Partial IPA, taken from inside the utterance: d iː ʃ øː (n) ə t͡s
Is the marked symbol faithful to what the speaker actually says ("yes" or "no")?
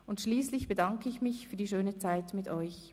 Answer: yes